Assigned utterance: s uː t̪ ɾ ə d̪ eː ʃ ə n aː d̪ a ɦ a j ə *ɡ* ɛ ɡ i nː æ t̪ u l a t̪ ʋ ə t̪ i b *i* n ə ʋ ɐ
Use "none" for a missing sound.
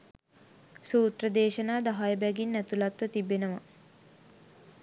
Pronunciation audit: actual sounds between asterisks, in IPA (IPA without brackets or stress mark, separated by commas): b, e